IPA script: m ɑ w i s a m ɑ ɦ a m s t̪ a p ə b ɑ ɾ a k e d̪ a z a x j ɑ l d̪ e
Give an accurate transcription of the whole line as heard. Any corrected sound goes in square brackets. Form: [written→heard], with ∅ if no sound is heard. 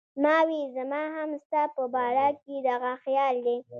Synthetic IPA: m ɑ w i [s→z] a m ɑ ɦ a m s t̪ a p ə b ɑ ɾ a k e d̪ a [z→ɣ] a x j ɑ l d̪ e